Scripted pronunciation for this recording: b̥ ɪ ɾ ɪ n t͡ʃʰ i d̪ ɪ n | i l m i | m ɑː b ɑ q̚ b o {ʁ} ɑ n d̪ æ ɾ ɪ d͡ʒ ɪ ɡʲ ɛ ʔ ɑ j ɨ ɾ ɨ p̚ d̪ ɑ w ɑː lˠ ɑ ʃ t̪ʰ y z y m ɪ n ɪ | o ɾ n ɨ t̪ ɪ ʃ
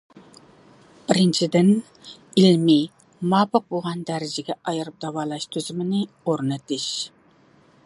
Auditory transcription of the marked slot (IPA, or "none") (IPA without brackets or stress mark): ʁ